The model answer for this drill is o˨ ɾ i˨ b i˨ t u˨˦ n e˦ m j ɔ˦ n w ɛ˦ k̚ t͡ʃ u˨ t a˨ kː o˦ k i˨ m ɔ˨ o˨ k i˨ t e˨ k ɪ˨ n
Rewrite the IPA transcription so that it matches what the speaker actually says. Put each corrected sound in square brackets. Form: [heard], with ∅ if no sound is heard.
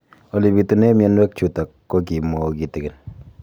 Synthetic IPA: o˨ [l] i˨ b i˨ t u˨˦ n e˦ m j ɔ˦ n w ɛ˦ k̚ t͡ʃ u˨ t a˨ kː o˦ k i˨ m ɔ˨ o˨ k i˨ t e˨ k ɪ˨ n